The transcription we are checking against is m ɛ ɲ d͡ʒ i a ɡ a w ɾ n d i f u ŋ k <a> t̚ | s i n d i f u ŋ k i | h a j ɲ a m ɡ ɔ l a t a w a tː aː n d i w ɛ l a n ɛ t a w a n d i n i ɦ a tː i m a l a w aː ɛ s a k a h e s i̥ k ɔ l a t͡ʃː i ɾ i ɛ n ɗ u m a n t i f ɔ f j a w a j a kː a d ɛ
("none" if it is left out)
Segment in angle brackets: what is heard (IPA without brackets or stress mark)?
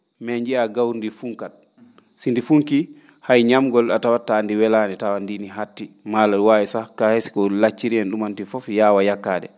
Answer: a